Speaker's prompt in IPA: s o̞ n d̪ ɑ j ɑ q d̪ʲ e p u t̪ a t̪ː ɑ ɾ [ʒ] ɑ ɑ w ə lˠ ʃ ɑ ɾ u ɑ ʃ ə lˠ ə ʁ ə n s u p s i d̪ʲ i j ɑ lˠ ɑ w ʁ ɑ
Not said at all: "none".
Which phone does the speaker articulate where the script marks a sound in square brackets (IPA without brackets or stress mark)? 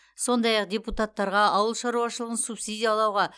ʁ